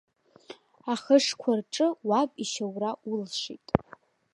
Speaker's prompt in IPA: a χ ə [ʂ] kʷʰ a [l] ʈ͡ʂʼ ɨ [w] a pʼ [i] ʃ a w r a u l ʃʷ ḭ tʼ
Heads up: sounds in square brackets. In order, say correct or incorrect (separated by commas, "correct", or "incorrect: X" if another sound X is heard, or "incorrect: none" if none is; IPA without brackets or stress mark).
correct, incorrect: r, correct, correct